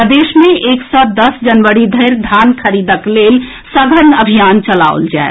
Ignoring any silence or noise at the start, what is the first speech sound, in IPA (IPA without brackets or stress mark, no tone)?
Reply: d̪